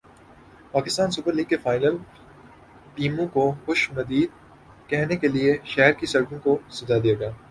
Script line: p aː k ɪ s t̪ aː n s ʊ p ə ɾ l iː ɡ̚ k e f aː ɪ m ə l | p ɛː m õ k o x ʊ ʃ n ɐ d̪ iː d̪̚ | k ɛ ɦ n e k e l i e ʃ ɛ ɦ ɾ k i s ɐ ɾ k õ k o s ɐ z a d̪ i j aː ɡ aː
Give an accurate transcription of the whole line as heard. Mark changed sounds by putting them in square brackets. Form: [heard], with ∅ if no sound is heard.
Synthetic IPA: p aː k ɪ s t̪ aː n s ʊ p ə ɾ l iː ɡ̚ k e f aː ɪ [n] ə l | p [iː] m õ k o x ʊ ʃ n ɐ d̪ iː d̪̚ | k ɛ ɦ n e k e l i e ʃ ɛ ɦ ɾ k i s ɐ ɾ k õ k o s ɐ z a d̪ i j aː ɡ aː